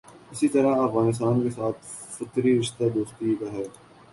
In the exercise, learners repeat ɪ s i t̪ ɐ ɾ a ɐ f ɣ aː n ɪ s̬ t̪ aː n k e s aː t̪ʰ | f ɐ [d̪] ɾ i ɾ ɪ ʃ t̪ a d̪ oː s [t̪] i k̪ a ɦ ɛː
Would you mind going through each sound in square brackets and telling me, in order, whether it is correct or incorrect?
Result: incorrect, correct

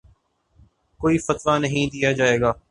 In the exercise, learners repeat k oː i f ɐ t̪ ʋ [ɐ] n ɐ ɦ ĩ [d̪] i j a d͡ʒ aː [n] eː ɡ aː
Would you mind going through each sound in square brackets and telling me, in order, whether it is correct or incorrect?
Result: incorrect, correct, incorrect

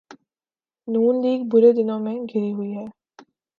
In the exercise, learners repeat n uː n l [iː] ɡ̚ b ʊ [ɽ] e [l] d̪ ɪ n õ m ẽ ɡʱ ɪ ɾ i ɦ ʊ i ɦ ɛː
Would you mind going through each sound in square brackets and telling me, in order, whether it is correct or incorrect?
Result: correct, incorrect, incorrect

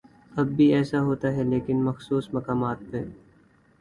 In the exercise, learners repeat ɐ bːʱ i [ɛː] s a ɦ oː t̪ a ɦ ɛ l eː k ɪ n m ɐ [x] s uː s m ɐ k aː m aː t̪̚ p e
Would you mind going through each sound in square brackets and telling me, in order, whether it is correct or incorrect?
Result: correct, correct

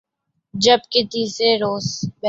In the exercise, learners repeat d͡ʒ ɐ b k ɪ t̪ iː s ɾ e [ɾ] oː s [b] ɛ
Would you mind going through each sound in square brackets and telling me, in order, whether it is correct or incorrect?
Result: correct, correct

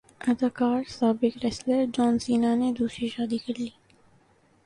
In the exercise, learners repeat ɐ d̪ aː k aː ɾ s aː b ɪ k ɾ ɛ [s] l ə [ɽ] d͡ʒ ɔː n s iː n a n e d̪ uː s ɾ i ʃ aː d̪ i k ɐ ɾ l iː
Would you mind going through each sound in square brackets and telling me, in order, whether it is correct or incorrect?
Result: correct, incorrect

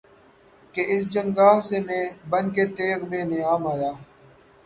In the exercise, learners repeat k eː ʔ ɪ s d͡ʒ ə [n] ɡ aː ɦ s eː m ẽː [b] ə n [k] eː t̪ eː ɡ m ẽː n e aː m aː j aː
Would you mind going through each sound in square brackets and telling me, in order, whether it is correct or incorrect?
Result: incorrect, correct, correct

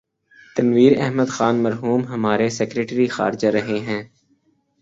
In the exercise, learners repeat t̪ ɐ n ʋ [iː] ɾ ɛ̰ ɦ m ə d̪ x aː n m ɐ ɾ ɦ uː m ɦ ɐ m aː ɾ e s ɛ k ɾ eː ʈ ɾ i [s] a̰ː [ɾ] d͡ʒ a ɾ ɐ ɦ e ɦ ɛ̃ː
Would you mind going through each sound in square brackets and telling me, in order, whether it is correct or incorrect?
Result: correct, incorrect, correct

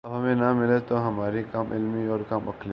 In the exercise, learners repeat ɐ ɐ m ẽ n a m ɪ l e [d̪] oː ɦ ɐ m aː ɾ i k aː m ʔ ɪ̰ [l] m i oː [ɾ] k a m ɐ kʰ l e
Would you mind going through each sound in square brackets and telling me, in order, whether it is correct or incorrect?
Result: incorrect, correct, correct

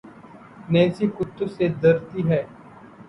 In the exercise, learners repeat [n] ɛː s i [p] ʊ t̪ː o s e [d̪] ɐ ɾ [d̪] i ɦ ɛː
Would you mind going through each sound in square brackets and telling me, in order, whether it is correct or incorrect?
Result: correct, incorrect, correct, incorrect

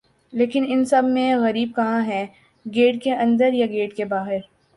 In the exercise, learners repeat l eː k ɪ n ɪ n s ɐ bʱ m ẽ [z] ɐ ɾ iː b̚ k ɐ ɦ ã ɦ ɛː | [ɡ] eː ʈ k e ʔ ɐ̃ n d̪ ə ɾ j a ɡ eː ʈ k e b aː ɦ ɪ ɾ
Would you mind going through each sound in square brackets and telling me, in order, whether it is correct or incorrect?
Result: incorrect, correct

